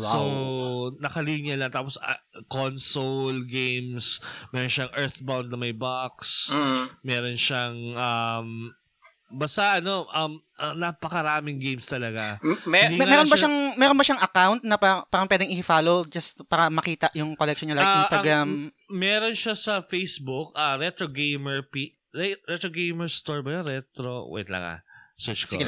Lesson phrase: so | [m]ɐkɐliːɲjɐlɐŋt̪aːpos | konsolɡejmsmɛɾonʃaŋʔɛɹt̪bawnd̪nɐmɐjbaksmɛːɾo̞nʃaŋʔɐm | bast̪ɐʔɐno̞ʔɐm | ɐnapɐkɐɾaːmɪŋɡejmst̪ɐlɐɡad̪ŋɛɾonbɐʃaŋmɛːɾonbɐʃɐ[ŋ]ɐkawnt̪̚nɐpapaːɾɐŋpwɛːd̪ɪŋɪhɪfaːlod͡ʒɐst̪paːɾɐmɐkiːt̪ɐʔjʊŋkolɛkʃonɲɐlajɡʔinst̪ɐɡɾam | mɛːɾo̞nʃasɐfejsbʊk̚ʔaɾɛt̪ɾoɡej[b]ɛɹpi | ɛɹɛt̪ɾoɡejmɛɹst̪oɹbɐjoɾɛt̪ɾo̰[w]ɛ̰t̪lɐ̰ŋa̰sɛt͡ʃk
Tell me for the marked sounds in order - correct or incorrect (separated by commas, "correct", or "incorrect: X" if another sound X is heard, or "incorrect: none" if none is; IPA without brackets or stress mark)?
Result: incorrect: n, correct, incorrect: m, correct